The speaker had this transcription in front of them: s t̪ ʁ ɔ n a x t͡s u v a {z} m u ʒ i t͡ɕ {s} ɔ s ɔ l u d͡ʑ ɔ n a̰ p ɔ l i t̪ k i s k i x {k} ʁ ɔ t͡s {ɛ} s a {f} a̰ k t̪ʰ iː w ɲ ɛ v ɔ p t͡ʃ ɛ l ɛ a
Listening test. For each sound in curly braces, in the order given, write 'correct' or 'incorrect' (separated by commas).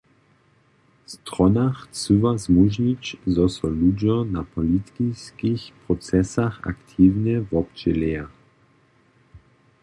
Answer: correct, incorrect, incorrect, correct, incorrect